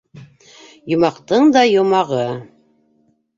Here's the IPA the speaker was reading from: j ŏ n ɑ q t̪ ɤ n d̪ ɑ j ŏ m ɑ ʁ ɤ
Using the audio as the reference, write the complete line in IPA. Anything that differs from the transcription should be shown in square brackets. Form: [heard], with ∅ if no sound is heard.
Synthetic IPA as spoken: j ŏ [m] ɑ q t̪ ɤ [ɴ] d̪ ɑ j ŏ m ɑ ʁ ɤ